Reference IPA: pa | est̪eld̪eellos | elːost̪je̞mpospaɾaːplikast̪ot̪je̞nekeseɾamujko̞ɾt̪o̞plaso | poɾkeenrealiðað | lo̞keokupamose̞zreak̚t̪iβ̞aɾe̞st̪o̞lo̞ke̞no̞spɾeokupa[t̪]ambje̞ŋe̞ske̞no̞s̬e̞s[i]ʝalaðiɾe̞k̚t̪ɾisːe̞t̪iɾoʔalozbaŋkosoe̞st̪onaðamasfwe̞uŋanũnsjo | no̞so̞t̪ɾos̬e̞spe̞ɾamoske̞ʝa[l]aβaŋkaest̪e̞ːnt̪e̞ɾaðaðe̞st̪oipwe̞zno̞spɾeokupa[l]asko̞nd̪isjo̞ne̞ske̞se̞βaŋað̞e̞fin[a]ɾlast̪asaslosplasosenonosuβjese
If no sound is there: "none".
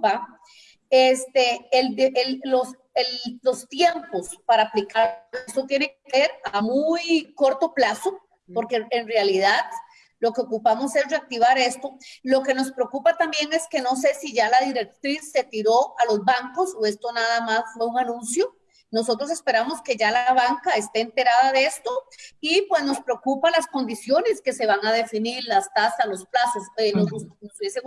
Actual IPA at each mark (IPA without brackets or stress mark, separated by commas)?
t̪, i, l, l, i